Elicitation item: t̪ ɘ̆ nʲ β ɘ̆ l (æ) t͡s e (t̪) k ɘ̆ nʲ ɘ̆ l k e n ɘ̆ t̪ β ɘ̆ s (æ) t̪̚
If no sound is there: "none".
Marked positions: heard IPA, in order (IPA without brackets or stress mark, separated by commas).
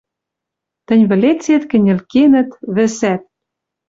e, t̪, æ